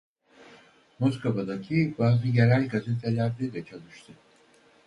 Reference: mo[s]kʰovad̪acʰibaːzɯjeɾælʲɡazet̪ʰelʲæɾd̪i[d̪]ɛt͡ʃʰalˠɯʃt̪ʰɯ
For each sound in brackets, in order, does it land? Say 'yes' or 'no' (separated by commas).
yes, yes